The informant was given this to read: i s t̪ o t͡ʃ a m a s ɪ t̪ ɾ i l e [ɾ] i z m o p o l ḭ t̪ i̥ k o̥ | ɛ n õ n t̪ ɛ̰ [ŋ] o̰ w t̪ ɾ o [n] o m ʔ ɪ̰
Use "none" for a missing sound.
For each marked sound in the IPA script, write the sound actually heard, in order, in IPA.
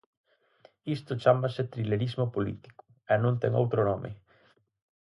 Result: ɾ, ŋ, n

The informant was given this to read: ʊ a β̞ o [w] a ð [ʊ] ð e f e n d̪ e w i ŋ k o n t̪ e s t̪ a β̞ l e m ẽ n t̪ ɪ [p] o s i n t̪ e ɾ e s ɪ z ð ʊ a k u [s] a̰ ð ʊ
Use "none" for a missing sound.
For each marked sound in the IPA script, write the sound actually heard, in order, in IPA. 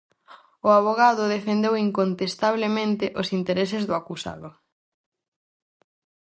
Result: ɣ, ʊ, ʔ, s

